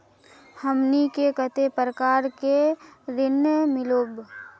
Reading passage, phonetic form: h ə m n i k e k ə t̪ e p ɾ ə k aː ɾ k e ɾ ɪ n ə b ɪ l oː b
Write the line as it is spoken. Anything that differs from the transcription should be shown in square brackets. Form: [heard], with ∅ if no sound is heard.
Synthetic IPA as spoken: h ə m n i k e k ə t̪ e p ɾ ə k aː ɾ k e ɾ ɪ n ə [m] ɪ l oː b